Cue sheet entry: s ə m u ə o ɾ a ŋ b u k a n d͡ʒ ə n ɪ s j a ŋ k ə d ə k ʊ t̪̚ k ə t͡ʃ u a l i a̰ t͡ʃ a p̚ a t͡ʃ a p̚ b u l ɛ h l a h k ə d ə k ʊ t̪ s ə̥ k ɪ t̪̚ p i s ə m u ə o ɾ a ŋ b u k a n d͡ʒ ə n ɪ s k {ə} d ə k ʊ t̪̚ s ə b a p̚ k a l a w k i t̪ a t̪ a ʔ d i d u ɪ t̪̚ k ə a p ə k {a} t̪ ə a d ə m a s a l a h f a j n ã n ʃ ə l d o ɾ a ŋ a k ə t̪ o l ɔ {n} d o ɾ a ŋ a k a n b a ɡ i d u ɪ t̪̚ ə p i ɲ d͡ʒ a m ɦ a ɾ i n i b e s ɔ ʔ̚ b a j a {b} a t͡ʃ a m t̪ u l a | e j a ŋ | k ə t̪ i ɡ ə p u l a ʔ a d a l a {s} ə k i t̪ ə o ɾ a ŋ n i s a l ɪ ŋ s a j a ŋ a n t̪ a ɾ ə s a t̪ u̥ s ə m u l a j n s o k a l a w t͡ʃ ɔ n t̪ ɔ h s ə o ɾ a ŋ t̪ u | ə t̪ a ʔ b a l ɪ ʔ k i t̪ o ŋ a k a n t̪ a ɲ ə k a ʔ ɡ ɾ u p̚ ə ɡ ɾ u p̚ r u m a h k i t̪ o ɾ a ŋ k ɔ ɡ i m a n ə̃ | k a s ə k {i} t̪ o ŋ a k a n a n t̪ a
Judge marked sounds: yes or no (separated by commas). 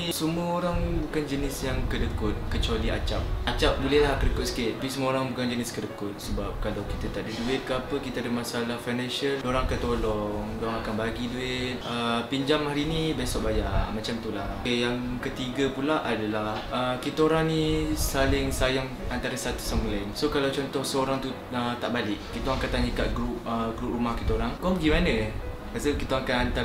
yes, no, no, no, no, yes